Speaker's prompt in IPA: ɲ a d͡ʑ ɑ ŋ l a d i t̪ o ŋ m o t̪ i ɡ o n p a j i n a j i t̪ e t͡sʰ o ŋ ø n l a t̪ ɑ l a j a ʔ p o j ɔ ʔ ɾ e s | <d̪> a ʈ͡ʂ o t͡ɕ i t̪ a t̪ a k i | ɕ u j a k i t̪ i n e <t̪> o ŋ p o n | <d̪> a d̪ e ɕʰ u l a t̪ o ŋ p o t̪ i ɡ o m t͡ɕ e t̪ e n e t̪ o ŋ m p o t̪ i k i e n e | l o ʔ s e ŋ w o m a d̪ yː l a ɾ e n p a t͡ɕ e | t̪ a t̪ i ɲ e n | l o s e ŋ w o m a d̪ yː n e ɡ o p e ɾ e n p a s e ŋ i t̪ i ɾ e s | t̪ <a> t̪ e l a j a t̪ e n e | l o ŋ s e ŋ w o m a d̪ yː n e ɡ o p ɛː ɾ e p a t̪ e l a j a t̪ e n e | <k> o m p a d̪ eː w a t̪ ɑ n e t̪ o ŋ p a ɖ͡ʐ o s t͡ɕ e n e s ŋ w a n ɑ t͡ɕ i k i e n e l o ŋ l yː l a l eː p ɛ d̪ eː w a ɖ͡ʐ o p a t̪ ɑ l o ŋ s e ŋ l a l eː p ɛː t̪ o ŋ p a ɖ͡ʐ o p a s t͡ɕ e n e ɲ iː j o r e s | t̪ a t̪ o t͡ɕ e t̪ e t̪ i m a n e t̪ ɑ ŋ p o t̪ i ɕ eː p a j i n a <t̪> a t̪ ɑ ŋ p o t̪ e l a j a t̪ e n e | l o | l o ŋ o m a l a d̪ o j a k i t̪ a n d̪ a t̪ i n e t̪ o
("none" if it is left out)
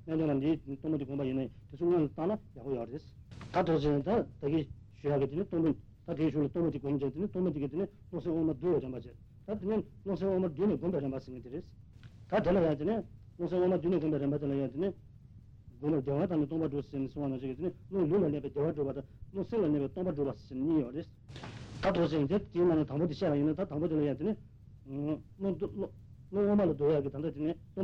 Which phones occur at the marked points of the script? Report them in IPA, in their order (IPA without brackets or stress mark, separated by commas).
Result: t̪, t̪, t̪, a, ɡ, t̪